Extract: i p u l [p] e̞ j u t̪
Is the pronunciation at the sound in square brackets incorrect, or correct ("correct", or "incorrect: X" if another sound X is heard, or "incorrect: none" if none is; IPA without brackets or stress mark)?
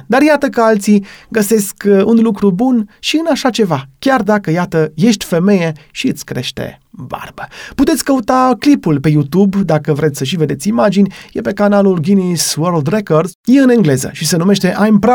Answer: correct